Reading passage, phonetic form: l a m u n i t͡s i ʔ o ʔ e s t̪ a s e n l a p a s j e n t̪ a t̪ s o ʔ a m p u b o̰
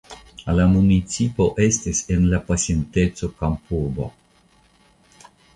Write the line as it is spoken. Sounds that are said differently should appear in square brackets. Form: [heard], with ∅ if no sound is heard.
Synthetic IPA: l a m u n i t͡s i [p] o ʔ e s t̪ [i] s e n l a p a s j e n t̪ [e] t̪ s o [k] a m p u b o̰